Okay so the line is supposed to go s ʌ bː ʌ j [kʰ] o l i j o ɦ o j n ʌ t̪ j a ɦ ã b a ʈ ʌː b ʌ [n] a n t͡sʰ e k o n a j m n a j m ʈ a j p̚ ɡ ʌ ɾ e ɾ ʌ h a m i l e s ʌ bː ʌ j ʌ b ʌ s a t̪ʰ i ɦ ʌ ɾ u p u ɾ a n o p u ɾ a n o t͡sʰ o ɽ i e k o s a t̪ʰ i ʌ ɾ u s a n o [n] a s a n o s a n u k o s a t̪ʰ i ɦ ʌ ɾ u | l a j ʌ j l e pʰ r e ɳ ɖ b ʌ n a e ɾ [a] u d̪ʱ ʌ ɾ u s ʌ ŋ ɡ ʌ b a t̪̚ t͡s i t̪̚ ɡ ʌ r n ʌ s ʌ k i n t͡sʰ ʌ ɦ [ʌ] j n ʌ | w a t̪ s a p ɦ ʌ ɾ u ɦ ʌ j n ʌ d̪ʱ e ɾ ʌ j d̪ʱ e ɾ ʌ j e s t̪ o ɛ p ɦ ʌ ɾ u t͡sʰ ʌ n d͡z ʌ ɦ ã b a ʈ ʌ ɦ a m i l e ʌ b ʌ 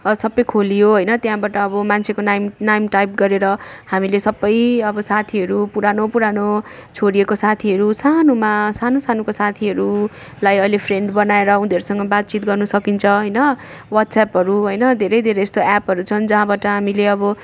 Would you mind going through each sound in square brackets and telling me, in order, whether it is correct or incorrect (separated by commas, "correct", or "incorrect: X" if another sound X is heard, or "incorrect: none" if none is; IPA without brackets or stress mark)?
correct, incorrect: m, incorrect: m, incorrect: ʌ, correct